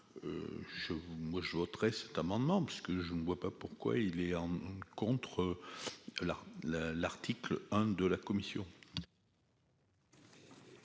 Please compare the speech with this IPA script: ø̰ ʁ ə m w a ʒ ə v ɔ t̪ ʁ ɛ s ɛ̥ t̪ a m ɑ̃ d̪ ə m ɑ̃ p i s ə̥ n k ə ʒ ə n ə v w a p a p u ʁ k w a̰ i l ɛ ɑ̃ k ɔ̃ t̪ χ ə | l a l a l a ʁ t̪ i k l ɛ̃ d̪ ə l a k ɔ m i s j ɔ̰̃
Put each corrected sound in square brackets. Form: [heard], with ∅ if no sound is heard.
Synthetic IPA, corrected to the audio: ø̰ [ʒ] ə m w a ʒ ə v ɔ t̪ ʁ ɛ s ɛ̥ t̪ a m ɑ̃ d̪ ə m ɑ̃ p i s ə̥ [∅] k ə ʒ ə n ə v w a p a p u ʁ k w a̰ i l ɛ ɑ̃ k ɔ̃ t̪ χ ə | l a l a l a ʁ t̪ i k l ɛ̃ d̪ ə l a k ɔ m i s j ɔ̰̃